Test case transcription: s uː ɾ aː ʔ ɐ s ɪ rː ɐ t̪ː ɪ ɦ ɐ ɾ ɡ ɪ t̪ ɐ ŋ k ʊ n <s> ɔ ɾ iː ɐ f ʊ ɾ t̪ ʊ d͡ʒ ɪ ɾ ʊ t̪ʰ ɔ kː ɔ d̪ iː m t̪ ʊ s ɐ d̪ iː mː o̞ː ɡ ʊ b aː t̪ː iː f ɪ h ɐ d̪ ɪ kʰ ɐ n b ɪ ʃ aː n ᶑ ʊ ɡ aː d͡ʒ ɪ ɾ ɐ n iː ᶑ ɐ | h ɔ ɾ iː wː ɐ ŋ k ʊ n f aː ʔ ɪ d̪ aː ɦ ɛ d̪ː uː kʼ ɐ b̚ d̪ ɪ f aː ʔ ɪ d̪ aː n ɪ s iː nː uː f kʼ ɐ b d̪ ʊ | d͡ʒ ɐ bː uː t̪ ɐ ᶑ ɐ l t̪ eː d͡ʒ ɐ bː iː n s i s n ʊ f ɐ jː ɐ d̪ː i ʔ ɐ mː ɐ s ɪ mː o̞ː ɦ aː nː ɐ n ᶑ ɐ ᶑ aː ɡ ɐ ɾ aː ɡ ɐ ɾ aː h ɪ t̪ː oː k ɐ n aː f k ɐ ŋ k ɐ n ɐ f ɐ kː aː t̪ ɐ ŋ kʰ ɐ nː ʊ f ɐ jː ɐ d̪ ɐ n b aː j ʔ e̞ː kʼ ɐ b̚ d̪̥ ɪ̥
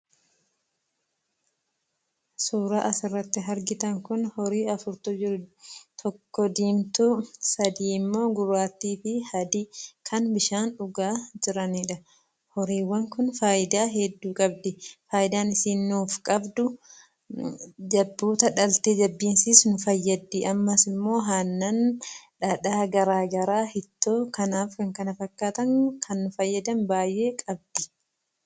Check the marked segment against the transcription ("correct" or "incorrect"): incorrect